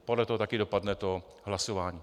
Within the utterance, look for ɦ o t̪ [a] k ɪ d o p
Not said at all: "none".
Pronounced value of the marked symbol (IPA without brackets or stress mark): a